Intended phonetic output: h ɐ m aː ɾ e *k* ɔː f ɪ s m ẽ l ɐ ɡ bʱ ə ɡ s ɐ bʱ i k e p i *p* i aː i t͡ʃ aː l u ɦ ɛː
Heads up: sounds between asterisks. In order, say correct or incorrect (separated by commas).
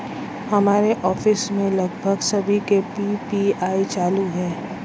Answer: incorrect, correct